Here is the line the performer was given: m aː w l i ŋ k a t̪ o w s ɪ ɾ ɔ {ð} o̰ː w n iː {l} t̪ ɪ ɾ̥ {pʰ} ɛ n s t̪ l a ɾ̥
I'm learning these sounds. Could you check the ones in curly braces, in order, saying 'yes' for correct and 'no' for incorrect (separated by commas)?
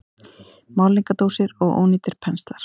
no, no, yes